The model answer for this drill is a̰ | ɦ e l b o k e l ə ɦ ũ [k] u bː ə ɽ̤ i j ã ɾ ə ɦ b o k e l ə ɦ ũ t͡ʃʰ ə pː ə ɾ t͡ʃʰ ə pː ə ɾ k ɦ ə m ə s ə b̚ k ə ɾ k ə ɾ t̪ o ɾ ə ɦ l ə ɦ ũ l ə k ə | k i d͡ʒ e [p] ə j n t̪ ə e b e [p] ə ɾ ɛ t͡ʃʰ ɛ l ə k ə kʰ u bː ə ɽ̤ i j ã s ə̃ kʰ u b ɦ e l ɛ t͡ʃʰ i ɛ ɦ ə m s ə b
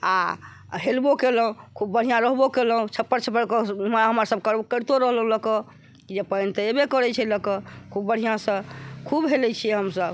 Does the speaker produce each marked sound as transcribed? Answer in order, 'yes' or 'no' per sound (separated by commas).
no, yes, no